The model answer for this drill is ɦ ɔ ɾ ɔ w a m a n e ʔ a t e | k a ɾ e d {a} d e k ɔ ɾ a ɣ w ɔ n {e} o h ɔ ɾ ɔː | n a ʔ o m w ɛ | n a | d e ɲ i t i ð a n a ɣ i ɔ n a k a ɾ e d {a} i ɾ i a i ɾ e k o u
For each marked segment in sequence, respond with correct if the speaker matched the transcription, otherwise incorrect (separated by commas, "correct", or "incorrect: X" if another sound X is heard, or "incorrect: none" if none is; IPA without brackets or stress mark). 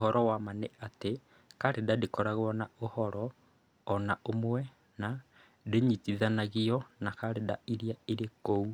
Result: correct, incorrect: a, correct